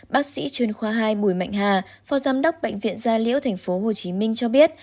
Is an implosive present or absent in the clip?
present